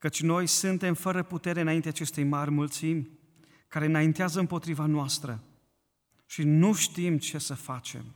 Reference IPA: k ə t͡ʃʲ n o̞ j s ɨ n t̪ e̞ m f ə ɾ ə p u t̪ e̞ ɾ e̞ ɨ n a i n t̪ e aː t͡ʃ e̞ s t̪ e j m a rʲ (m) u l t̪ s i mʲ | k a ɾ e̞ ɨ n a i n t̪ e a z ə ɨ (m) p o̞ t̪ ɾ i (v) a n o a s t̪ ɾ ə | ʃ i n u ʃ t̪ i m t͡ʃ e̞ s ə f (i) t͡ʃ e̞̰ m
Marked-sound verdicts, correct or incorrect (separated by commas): correct, correct, correct, incorrect